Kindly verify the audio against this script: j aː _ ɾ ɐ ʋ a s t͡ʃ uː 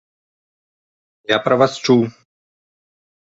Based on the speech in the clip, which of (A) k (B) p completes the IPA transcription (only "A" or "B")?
B